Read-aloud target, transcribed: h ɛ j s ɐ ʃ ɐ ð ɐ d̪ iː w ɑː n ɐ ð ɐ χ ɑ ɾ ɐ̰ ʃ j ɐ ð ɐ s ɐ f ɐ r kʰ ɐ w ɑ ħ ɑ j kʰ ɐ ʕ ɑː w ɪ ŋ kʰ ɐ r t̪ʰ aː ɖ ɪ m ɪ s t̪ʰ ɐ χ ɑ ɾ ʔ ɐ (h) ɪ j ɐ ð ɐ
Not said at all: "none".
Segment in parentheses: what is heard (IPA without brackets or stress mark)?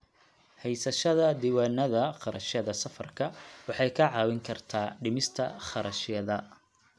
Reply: ʃ